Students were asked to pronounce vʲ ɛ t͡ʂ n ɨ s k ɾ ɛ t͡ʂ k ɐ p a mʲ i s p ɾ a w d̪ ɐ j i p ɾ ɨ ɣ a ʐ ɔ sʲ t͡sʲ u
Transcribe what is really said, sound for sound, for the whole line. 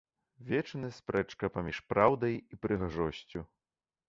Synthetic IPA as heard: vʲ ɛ t͡ʂ n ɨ s p ɾ ɛ t͡ʂ k ɐ p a mʲ i ʂ p ɾ a w d̪ ɐ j i p ɾ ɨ ɣ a ʐ ɔ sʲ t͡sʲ u